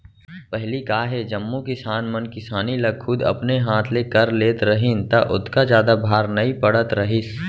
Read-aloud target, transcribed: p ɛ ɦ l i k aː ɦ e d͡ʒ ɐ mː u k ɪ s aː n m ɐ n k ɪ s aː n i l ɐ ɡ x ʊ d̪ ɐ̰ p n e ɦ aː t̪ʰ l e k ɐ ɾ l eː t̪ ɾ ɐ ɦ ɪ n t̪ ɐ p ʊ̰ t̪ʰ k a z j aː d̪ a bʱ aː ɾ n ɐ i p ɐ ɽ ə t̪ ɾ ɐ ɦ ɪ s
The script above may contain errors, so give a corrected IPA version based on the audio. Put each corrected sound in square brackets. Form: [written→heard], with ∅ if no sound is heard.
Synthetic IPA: p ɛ ɦ l i k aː ɦ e d͡ʒ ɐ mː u k ɪ s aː n m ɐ n k ɪ s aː n i l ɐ ɡ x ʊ d̪ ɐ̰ p n e ɦ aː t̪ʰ l e k ɐ ɾ l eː t̪ ɾ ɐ ɦ ɪ n t̪ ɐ [p→ʔ] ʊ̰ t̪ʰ k a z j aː d̪ a bʱ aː ɾ n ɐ i p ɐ ɽ ə t̪ ɾ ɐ ɦ ɪ s